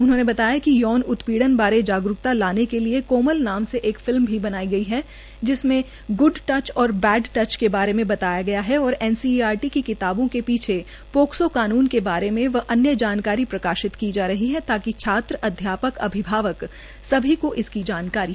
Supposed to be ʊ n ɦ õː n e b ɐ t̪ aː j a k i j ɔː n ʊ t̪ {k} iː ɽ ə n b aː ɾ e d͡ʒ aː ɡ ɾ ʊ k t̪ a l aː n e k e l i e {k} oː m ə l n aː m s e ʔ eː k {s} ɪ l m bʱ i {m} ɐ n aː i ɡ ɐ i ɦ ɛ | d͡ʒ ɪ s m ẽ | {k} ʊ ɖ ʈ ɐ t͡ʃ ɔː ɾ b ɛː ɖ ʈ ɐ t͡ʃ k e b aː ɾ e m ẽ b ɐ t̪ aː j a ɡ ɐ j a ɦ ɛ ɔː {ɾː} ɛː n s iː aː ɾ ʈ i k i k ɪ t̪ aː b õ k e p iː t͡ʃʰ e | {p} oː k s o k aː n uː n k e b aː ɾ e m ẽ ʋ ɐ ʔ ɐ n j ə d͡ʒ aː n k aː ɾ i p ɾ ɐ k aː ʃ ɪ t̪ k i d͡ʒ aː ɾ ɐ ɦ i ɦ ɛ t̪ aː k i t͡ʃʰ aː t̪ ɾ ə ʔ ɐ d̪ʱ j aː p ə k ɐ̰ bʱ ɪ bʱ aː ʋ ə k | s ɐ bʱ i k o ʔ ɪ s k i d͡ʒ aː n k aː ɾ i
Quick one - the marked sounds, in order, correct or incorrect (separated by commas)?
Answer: incorrect, correct, incorrect, incorrect, incorrect, incorrect, correct